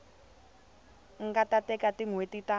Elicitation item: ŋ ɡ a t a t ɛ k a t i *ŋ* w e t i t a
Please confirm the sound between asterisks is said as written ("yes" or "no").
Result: yes